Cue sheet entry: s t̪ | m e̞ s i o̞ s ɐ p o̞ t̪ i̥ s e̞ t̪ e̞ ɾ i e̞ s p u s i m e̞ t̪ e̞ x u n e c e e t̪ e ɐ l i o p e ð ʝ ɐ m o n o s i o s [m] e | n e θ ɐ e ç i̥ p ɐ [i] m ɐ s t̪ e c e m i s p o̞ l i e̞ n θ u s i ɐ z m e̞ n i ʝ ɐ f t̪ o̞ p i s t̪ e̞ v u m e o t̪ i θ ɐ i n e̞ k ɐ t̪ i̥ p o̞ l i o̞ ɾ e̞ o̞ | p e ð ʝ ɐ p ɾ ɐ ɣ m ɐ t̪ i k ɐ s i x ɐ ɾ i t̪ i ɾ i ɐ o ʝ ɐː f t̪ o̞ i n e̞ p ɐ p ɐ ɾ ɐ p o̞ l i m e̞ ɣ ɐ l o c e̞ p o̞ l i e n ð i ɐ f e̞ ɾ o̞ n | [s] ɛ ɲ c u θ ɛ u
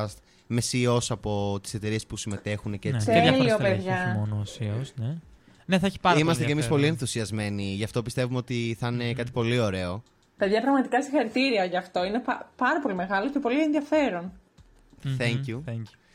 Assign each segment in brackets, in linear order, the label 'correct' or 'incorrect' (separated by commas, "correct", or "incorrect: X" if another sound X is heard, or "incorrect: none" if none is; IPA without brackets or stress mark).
incorrect: n, correct, incorrect: θ